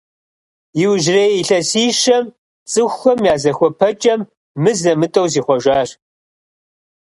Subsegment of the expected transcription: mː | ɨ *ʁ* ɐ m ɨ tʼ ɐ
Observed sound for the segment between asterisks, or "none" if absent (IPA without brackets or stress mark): z